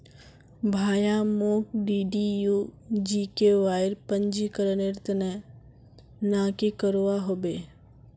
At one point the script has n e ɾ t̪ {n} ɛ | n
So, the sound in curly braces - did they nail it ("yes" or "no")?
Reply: yes